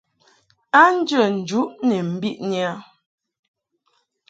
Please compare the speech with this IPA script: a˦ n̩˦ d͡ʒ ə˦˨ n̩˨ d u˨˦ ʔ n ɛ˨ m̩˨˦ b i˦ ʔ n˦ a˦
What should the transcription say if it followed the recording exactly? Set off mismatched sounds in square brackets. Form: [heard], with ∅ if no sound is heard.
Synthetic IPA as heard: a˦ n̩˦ d͡ʒ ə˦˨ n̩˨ [d͡ʒ] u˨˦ ʔ n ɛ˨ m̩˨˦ b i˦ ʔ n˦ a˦

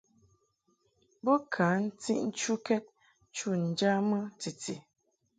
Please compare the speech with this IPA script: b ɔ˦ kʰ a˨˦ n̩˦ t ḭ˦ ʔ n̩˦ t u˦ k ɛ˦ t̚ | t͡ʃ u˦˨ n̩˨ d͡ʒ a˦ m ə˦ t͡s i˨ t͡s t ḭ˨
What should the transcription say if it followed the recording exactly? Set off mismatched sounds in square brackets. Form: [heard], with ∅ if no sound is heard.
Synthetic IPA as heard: b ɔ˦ kʰ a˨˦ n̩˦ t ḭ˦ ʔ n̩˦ [t͡ʃ] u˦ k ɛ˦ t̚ | t͡ʃ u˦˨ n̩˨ d͡ʒ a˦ m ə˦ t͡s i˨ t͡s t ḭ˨

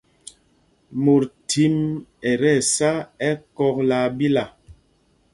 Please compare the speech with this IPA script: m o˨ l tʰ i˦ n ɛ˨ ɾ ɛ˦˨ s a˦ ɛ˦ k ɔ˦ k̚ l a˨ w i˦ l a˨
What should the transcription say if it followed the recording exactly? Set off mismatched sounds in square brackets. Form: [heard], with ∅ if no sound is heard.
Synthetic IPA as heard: m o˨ [ɾ] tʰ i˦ [m] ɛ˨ ɾ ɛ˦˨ s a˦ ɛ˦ k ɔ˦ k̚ l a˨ [b] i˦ l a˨

